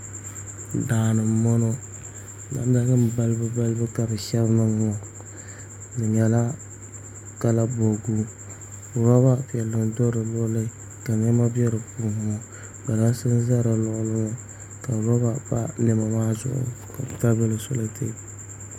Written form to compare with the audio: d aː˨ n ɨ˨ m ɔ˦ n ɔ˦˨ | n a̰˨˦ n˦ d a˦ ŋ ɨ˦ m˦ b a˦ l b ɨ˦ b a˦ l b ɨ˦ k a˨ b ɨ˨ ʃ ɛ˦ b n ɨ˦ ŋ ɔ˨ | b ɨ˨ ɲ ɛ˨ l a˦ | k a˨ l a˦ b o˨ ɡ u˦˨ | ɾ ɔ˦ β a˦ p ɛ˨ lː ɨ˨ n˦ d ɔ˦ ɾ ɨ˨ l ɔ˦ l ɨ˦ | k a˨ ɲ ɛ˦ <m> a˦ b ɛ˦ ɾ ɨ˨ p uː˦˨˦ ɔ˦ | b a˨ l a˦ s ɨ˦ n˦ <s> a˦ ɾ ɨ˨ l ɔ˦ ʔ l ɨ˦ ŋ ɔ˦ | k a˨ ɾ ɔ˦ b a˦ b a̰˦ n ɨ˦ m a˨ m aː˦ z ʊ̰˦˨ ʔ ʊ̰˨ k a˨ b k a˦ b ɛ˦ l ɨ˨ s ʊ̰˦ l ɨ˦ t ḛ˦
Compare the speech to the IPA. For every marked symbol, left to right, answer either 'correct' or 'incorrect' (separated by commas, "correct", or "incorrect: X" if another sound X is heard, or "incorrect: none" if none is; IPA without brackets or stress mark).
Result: correct, incorrect: z